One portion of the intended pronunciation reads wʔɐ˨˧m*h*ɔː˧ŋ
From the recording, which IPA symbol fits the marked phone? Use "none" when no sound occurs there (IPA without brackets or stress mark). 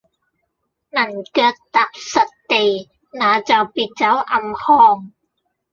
h